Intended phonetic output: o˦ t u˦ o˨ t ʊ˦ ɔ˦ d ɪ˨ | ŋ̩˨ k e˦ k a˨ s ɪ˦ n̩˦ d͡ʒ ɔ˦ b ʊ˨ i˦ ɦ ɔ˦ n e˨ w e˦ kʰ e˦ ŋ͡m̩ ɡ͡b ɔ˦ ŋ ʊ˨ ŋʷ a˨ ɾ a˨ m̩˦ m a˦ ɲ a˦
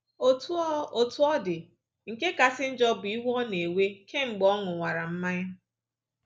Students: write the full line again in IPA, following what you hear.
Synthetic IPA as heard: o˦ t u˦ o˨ t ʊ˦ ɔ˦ d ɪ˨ | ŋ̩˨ k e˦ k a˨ s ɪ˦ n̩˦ d͡ʒ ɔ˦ b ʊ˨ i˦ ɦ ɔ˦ n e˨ w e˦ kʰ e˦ ŋ͡m̩ ɡ͡b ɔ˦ ŋ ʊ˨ ŋʷ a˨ ɾ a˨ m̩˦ m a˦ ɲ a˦